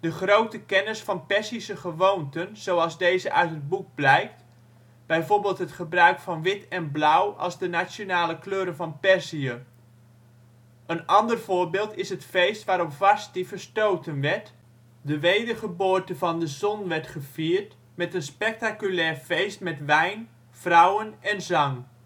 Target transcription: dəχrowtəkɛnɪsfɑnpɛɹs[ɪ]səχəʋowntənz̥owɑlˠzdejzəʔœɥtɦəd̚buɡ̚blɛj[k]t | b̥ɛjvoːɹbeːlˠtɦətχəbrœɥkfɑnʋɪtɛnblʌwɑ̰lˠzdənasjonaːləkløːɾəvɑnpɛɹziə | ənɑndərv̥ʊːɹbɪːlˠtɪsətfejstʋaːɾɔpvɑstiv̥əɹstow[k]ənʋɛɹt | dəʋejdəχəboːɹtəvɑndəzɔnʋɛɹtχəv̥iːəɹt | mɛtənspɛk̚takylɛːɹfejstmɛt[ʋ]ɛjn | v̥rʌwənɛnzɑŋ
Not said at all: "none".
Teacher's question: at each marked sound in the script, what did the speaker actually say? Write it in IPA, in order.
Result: i, k, t, ʋ

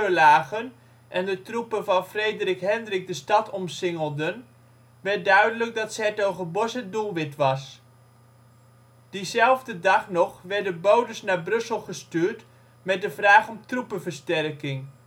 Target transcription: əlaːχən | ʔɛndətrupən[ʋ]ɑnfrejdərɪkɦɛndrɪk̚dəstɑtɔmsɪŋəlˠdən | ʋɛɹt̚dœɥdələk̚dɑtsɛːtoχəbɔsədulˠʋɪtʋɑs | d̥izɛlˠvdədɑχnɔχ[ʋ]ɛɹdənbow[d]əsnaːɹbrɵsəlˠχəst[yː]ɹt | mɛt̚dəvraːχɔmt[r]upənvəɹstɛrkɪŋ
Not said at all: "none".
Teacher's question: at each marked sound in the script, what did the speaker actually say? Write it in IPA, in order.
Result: v, ʋ, d, yː, r

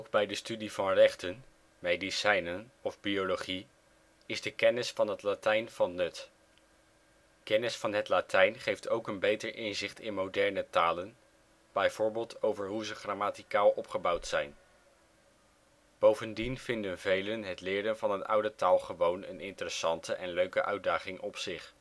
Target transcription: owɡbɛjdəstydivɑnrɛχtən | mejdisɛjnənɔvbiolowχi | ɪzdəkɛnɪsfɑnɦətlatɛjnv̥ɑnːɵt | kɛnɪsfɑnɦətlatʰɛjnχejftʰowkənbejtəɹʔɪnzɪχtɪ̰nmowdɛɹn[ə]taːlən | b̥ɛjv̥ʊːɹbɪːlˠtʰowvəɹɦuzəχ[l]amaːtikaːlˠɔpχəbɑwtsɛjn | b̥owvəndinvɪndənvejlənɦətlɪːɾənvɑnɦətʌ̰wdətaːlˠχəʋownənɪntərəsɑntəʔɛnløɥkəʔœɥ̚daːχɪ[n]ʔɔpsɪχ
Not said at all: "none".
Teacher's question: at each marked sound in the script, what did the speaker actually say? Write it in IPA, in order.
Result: ə, r, ŋ

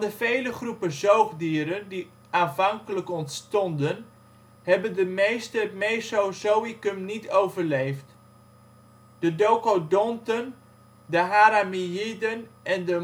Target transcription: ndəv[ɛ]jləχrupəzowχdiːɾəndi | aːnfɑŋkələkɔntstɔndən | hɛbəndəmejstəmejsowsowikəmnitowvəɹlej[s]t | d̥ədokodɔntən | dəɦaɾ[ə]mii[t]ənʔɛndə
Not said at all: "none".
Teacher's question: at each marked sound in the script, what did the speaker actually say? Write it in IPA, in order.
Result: e, f, a, d

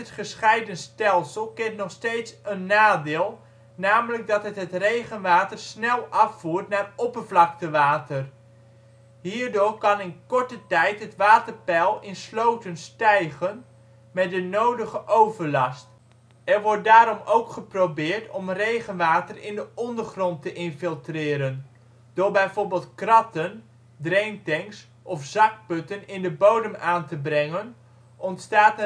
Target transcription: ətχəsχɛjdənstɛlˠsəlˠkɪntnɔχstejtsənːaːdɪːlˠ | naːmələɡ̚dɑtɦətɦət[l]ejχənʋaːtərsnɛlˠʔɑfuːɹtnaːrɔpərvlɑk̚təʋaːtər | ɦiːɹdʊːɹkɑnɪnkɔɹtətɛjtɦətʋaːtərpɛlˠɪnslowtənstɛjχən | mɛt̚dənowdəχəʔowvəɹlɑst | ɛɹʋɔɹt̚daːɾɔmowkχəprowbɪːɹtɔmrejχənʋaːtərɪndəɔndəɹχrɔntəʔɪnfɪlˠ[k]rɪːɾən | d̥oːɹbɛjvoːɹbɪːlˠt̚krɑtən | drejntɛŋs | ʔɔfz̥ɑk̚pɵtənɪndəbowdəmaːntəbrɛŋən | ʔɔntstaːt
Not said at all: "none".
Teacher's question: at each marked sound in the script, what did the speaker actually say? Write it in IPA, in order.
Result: r, t

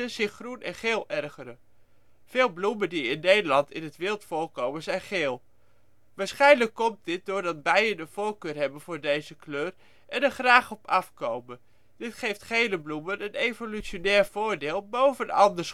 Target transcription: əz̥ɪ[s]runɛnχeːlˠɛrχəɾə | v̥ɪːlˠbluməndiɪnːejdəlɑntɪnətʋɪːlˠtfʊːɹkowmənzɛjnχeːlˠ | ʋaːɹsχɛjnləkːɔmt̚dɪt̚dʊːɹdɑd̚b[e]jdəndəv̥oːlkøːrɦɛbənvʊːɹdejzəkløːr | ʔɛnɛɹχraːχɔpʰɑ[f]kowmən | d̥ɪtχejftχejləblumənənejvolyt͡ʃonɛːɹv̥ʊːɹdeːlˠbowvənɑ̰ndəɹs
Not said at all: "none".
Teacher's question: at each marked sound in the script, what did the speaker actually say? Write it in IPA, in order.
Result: χ, ɛ, f

